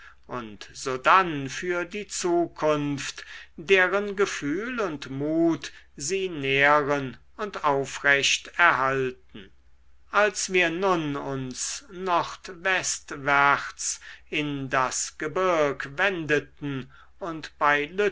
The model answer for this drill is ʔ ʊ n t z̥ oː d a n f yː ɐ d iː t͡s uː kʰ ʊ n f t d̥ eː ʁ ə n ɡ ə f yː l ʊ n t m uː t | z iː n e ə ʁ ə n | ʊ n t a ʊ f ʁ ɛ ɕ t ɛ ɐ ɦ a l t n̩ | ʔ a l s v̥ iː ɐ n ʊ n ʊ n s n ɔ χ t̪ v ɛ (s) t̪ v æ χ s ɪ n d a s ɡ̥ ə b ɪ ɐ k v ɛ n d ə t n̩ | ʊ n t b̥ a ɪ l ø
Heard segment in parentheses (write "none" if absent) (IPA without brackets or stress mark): s